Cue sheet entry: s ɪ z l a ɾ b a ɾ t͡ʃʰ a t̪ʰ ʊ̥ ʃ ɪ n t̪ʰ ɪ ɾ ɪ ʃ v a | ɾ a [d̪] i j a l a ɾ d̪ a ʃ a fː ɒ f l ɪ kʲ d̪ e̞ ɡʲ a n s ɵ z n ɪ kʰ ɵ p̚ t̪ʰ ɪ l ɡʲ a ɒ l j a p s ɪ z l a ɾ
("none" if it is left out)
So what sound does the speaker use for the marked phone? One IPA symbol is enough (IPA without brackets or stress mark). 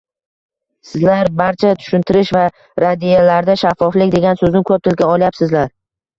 d̪